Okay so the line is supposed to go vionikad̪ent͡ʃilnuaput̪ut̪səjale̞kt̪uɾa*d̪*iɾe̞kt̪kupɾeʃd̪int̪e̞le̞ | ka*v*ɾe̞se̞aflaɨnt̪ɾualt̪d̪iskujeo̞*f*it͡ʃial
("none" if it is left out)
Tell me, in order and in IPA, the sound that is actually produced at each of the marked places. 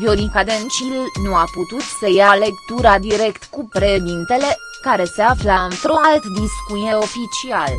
d̪, none, f

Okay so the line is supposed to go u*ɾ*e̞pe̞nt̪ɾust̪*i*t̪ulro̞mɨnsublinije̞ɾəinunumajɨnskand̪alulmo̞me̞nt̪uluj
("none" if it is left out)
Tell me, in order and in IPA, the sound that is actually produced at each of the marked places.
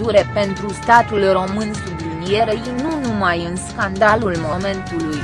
ɾ, a

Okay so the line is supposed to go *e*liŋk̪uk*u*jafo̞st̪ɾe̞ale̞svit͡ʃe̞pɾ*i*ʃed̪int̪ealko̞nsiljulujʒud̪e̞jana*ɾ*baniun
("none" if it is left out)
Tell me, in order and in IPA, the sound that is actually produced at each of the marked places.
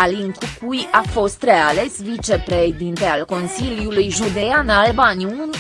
a, u, e, l

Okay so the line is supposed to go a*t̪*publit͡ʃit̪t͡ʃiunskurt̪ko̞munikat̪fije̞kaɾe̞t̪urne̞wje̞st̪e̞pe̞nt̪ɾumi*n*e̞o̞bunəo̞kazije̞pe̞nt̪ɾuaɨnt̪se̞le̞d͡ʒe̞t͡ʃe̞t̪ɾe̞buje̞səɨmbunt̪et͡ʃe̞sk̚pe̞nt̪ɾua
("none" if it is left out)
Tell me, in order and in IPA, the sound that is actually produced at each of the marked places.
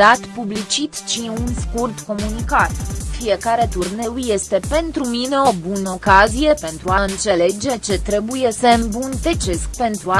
t̪, n

